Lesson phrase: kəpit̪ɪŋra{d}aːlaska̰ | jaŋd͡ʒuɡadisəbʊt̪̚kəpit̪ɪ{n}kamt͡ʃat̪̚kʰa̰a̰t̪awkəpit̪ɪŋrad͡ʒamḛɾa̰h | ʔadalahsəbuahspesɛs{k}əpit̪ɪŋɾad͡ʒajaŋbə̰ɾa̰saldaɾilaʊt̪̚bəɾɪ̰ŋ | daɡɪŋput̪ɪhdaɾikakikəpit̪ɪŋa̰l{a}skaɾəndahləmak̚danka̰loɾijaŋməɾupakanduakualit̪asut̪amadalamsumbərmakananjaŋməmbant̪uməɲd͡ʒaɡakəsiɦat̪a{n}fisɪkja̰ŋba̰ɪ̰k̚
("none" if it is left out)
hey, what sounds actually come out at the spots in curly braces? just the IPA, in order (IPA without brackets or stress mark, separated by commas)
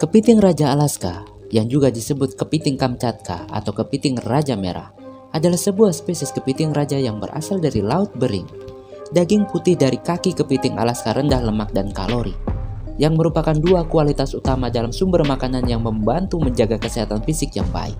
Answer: d͡ʒ, ŋ, k, a, n